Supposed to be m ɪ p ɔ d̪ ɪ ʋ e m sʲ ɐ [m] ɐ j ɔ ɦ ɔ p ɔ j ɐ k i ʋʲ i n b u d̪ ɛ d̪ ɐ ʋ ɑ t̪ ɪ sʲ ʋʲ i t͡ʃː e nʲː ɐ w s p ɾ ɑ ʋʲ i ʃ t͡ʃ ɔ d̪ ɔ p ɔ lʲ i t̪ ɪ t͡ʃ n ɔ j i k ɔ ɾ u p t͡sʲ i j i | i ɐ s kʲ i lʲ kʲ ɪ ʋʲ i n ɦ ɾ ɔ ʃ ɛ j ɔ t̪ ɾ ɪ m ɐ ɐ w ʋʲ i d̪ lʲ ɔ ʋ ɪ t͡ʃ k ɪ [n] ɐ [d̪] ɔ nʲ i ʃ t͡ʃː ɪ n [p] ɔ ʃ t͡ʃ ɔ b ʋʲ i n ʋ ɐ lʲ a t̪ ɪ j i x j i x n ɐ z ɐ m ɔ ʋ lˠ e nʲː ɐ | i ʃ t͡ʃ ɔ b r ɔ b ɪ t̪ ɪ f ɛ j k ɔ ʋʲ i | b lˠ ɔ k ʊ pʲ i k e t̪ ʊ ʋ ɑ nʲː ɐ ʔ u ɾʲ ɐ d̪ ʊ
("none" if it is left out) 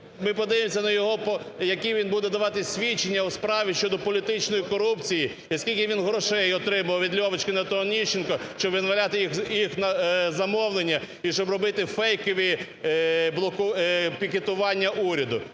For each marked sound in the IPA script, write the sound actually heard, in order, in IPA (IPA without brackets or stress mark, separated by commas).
n, n, t̪, k